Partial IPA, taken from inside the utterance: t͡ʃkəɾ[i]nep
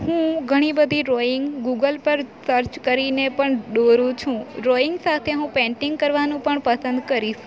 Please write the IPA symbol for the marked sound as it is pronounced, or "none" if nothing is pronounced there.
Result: i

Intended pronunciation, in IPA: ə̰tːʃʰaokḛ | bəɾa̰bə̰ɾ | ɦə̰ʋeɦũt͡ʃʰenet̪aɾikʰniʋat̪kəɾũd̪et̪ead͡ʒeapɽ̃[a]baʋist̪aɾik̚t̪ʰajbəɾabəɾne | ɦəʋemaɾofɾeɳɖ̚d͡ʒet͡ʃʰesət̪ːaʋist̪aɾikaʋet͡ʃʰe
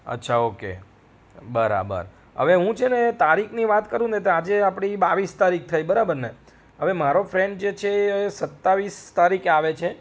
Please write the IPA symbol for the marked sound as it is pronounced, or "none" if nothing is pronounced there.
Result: i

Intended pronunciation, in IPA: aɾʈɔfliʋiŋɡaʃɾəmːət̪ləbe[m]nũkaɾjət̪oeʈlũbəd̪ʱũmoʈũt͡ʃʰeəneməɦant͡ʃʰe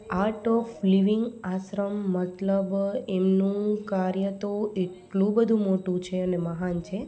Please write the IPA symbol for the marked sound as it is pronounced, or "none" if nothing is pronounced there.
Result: m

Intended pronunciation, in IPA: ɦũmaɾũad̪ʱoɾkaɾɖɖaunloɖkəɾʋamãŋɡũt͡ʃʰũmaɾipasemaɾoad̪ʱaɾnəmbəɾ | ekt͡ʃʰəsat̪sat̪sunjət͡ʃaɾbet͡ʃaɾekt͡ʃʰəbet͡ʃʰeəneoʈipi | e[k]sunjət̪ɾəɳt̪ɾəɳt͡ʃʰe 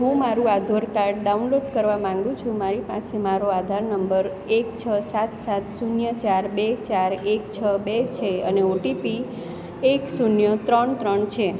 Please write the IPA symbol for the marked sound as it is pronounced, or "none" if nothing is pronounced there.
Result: k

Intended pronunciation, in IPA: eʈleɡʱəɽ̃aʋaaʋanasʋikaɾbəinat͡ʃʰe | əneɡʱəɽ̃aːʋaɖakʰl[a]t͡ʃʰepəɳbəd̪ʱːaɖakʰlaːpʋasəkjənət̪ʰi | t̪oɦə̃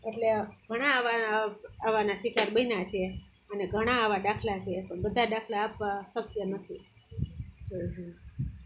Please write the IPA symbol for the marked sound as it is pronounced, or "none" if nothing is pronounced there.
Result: a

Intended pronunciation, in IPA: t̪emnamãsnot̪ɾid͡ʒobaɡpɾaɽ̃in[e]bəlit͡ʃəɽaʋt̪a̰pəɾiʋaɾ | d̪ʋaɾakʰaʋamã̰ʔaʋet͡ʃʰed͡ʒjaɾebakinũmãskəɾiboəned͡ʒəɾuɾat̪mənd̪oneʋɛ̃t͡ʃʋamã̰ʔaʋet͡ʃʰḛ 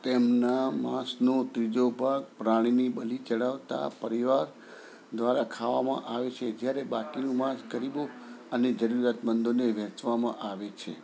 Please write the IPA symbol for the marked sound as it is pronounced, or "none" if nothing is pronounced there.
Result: i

